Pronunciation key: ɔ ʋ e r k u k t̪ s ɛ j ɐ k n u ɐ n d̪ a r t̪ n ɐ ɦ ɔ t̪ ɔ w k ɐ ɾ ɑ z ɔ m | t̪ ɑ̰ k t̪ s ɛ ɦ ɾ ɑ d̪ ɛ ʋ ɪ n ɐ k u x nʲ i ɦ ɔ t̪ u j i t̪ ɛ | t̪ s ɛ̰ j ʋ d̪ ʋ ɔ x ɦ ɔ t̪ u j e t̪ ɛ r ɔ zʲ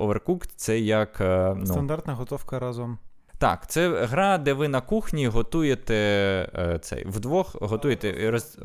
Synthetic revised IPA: ɔ ʋ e r k u k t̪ s ɛ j ɐ k n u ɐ n d̪ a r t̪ n ɐ ɦ ɔ t̪ ɔ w k ɐ ɾ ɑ z ɔ m | t̪ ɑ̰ k t̪ s ɛ ɦ ɾ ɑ d̪ ɛ ʋ ɪ n ɐ k u x nʲ i ɦ ɔ t̪ u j e t̪ ɛ | t̪ s ɛ̰ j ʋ d̪ ʋ ɔ x ɦ ɔ t̪ u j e t̪ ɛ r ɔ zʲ